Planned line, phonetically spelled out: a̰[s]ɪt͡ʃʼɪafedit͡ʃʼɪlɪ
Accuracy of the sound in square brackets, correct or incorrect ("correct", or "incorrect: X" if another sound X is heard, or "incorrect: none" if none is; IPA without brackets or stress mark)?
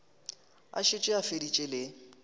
incorrect: ʃ